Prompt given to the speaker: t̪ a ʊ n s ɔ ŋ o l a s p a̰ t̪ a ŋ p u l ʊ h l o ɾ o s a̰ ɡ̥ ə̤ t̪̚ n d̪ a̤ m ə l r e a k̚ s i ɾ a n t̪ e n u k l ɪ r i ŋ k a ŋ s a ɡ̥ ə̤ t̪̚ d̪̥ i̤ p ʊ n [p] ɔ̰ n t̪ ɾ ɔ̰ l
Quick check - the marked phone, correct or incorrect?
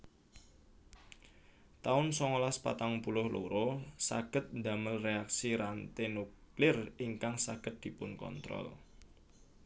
incorrect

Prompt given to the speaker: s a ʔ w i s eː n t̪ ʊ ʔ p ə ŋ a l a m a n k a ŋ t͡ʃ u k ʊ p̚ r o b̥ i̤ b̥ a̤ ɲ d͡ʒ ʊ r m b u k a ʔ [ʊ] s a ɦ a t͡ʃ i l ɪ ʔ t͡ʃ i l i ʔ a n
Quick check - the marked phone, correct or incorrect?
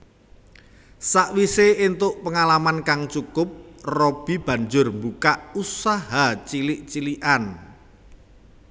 incorrect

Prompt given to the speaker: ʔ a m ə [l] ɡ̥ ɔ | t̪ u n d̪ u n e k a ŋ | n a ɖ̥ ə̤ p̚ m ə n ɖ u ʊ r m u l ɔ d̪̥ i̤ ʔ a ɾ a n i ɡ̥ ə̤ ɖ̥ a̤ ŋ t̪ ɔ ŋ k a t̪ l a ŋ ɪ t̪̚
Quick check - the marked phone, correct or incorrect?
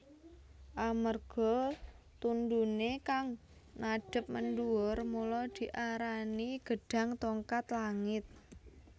incorrect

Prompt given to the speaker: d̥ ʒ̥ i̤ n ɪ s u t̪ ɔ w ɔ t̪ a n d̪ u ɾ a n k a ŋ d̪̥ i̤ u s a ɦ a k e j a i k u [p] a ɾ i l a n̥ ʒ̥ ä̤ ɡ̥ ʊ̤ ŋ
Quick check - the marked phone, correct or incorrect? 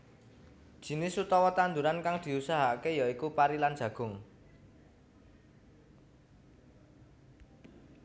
correct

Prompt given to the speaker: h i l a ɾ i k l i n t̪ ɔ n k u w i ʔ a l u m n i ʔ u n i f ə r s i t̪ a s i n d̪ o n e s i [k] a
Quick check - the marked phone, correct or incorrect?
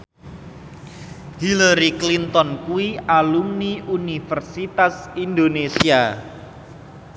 incorrect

